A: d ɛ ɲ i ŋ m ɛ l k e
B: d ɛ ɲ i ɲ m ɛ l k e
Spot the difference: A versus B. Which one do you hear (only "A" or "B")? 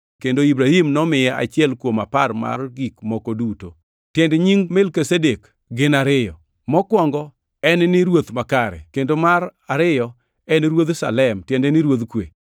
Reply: A